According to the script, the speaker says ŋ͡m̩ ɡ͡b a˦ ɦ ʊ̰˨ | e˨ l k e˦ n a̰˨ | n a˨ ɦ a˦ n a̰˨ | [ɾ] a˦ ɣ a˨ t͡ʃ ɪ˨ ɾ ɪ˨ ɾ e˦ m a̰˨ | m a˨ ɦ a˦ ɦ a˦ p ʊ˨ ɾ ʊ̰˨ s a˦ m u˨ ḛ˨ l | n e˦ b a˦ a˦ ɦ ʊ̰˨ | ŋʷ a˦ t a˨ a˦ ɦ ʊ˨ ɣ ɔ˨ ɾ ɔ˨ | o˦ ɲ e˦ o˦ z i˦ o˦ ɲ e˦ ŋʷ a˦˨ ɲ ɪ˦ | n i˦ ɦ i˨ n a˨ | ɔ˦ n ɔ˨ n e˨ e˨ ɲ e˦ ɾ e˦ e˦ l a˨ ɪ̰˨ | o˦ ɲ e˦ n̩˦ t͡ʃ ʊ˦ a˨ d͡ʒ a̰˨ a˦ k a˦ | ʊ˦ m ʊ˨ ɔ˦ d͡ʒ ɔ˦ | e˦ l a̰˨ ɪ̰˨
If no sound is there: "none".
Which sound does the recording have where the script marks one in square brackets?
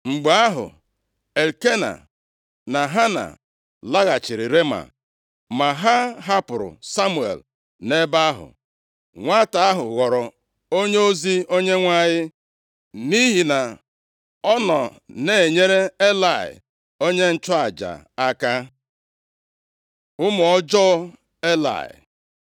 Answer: l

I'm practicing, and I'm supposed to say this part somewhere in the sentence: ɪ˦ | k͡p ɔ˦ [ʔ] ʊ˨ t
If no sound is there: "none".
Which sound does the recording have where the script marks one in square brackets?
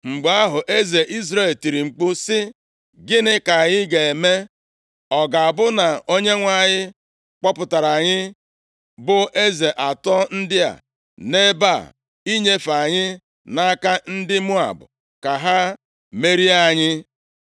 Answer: p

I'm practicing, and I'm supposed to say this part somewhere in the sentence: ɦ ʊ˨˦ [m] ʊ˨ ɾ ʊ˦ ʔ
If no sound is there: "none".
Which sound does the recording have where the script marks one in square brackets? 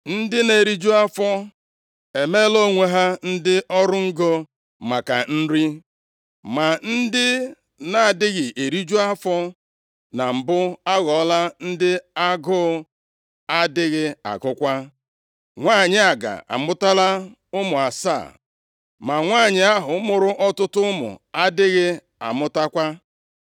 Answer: m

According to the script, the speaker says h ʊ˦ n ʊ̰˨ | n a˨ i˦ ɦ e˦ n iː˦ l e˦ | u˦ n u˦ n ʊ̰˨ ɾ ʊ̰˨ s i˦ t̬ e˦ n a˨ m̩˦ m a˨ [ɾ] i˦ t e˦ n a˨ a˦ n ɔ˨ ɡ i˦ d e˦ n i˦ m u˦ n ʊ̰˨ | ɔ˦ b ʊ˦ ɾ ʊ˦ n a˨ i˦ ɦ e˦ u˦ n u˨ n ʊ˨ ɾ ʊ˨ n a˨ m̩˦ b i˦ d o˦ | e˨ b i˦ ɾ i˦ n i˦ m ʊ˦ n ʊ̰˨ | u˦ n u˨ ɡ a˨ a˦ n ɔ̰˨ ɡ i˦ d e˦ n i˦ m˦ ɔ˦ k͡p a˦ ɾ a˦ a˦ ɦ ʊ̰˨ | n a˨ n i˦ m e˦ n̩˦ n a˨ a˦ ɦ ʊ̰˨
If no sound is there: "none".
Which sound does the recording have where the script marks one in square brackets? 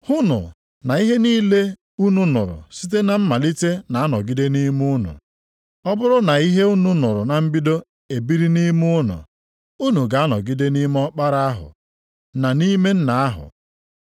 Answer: l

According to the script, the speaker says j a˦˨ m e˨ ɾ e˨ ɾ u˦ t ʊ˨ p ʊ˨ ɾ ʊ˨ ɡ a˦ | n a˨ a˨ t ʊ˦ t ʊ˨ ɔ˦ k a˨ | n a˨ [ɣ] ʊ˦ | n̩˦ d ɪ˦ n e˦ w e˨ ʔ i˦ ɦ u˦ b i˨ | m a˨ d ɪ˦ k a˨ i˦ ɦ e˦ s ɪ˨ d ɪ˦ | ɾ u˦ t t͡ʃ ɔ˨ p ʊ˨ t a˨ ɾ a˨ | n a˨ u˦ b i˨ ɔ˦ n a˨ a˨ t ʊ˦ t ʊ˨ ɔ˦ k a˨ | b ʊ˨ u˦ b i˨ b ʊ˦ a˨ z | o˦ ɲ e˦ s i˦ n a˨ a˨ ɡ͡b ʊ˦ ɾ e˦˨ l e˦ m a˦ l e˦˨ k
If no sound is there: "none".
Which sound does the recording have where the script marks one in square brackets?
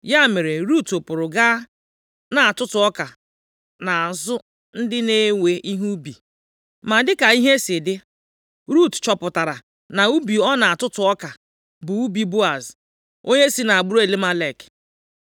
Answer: z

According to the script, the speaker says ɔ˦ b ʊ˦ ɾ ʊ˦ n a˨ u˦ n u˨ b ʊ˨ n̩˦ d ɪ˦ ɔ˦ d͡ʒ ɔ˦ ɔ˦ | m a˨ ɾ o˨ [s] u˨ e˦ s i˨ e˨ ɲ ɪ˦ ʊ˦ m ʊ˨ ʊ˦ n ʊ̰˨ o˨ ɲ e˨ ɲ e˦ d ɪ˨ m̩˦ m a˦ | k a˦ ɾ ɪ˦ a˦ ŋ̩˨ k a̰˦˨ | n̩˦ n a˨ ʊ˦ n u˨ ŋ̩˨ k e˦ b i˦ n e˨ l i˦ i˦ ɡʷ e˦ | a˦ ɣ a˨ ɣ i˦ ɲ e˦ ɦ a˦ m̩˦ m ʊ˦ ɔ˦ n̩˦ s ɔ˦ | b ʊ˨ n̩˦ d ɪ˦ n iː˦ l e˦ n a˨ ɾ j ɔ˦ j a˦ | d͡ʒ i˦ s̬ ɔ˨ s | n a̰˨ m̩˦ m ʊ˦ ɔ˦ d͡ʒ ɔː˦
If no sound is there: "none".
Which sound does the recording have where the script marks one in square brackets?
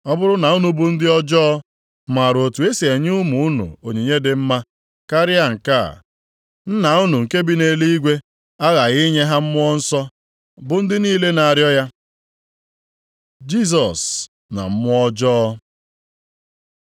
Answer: t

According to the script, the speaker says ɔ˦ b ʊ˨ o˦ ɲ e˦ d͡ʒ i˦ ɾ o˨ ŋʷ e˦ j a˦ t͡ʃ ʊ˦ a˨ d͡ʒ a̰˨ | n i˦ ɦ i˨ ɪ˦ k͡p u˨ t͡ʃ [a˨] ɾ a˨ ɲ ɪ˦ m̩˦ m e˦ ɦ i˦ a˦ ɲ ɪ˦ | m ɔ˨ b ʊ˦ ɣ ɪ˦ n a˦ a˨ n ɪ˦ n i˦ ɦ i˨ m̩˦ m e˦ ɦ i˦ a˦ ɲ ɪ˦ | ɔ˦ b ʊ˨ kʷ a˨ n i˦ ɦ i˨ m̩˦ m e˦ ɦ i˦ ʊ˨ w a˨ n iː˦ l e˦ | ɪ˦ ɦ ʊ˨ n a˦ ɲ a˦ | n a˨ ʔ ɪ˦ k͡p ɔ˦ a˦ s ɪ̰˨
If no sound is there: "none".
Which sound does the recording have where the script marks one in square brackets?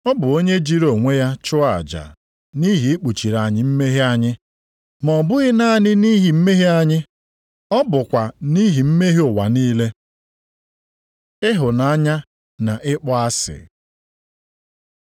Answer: i˨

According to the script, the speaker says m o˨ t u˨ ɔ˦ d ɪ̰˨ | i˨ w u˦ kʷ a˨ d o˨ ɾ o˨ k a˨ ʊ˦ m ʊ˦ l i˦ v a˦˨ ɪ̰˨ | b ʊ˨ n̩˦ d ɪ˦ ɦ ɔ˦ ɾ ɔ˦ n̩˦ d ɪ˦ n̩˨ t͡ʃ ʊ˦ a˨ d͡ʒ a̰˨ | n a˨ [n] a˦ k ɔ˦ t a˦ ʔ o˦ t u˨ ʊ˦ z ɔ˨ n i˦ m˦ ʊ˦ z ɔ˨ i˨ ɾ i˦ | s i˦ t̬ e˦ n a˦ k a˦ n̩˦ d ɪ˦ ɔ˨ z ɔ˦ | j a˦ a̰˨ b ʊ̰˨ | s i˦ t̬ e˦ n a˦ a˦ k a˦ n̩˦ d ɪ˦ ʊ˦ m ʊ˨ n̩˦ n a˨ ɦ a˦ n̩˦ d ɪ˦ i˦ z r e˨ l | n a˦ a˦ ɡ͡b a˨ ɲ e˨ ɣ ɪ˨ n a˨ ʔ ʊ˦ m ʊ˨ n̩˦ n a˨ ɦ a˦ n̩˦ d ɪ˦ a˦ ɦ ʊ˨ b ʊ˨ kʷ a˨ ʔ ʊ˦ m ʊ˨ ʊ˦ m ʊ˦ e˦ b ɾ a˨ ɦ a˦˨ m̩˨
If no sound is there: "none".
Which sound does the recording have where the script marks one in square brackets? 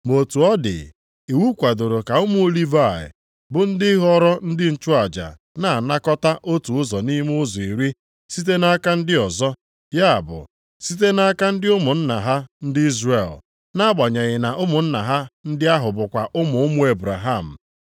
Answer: n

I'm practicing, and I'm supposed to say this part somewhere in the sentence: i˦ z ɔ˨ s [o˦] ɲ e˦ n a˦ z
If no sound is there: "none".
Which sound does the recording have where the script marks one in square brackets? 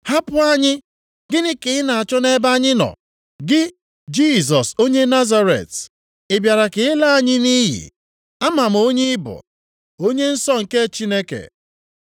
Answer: o˦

